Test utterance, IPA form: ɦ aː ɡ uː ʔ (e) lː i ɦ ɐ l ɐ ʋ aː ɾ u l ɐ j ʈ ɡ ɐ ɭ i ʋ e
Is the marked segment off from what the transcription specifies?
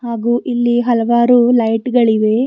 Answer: yes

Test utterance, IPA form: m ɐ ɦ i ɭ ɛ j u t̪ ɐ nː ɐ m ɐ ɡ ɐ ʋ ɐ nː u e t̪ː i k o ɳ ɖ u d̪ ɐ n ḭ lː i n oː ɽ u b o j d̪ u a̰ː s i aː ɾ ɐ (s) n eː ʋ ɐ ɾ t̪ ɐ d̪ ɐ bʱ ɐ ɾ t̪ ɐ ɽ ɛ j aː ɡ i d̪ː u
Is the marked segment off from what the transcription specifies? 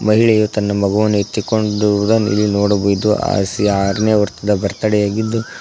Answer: yes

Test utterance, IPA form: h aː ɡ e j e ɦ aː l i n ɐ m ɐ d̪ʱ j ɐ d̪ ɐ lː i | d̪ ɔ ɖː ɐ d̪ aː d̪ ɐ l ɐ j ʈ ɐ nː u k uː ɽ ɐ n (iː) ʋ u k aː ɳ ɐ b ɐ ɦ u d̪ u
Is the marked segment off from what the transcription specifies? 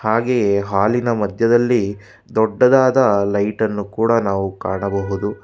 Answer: yes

